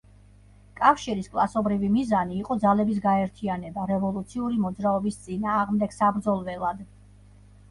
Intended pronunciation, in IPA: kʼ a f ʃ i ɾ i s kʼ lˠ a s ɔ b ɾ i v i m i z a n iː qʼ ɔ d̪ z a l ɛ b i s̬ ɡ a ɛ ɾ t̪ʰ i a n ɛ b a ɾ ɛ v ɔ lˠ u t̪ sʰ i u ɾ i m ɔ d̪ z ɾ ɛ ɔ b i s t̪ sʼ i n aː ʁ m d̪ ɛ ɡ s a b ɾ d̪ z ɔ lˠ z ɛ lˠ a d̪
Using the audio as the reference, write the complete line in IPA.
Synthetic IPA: kʼ a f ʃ i ɾ i s kʼ lˠ a s ɔ b ɾ i v i m i z a n iː qʼ ɔ d̪ z a l ɛ b i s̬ ɡ a ɛ ɾ t̪ʰ i a n ɛ b a ɾ ɛ v ɔ lˠ u t̪ sʰ i u ɾ i m ɔ d̪ z ɾ a ɔ b i s t̪ sʼ i n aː ʁ m d̪ ɛ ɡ s a b ɾ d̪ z ɔ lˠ v ɛ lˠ a d̪